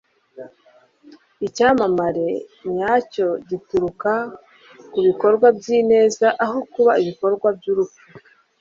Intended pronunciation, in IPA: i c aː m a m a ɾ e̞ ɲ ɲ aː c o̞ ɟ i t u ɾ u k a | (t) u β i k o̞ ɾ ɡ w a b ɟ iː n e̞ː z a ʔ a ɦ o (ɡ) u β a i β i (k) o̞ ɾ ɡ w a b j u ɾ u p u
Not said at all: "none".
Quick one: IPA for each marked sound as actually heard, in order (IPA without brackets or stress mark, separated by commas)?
k, k, k